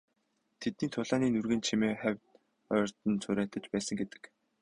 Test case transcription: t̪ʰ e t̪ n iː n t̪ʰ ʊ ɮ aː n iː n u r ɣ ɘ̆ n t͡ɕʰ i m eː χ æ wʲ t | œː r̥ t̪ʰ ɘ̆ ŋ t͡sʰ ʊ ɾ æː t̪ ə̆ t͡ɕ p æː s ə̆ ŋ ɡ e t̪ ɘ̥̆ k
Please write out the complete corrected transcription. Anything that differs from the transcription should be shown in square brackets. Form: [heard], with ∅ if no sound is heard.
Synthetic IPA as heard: t̪ʰ e t̪ n iː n t̪ʰ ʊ ɮ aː n iː n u r ɣ ɘ̆ n t͡ɕʰ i m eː χ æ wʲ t | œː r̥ [t̪] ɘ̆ [n] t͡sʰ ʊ ɾ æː t̪ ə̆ t͡ɕ p æː s ə̆ ŋ ɡ e t̪ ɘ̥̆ k